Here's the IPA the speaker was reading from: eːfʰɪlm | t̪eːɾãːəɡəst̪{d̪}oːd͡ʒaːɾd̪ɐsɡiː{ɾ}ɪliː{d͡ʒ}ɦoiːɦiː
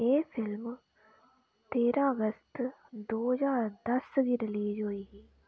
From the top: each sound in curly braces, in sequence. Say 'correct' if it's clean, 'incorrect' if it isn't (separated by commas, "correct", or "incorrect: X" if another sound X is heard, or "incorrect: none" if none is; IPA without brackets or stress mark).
correct, correct, correct